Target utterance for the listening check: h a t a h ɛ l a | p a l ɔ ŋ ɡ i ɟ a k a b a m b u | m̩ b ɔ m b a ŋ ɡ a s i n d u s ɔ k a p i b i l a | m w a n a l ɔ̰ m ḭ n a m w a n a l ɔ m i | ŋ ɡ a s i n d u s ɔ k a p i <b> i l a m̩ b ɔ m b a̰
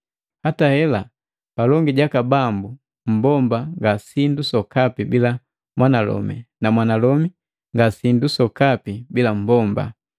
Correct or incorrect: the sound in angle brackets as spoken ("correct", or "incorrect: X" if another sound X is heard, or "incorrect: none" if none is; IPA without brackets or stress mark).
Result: correct